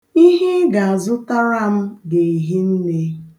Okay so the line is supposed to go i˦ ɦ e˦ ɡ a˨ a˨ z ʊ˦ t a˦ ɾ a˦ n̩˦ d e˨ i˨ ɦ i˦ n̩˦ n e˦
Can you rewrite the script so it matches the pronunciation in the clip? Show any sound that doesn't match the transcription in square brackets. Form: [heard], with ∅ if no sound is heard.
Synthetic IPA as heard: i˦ ɦ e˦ ɡ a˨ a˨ z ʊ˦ t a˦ ɾ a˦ [m̩˦] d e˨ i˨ ɦ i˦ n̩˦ n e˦